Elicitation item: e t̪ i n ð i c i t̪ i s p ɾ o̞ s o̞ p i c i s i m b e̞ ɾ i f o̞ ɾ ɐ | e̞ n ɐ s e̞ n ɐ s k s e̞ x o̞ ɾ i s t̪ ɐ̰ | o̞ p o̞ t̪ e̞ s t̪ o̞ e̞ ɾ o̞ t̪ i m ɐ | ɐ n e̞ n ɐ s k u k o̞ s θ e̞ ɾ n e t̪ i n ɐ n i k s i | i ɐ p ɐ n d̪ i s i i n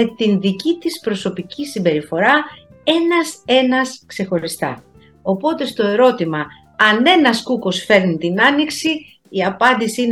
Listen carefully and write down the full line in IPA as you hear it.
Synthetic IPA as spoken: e t̪ i n ð i c i t̪ i s p ɾ o̞ s o̞ p i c i s i m b e̞ ɾ i f o̞ ɾ ɐ | e̞ n ɐ s e̞ n ɐ s k s e̞ x o̞ ɾ i s t̪ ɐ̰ | o̞ p o̞ t̪ e̞ s t̪ o̞ e̞ ɾ o̞ t̪ i m ɐ | ɐ n e̞ n ɐ s k u k o̞ s f e̞ ɾ n i t̪ i n ɐ n i k s i | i ɐ p ɐ n d̪ i s i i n